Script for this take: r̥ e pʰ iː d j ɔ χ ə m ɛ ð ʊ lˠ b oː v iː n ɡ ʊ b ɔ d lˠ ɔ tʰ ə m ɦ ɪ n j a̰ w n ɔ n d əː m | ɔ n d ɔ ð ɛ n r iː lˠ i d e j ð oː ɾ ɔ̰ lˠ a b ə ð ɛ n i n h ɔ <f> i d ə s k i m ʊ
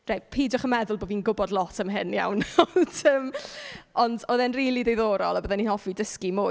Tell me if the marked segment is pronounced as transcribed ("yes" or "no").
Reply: yes